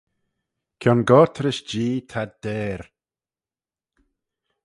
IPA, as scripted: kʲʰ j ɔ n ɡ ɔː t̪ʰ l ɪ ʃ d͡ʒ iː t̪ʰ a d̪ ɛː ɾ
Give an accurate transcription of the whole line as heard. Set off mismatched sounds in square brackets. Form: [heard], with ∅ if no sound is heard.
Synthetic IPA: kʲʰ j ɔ n ɡ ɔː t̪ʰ [ɾ] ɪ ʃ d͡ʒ iː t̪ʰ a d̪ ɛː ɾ